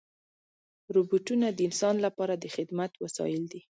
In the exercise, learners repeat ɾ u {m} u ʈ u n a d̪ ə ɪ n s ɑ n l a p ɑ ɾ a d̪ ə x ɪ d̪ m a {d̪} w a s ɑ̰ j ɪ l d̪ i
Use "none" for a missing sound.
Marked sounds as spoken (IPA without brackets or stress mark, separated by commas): b, t̪